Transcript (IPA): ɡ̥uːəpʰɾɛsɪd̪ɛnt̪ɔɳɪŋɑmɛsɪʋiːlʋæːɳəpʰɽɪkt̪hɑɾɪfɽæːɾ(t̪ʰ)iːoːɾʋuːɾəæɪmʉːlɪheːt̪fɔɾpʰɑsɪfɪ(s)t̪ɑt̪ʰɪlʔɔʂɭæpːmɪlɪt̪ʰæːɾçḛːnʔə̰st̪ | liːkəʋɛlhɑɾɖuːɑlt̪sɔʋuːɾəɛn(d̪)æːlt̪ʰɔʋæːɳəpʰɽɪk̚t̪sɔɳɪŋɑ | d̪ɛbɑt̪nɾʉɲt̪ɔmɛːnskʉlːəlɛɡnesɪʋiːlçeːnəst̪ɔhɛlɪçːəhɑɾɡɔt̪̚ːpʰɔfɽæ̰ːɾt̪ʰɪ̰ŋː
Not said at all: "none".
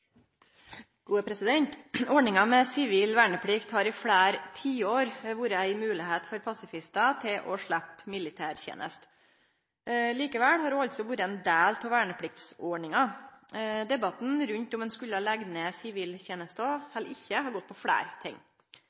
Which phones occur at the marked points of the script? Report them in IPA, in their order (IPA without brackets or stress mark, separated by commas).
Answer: t̪ʰ, s, d̪